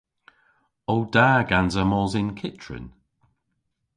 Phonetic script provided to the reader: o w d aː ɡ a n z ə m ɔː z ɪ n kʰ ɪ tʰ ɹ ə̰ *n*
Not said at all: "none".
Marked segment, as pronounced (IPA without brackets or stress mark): n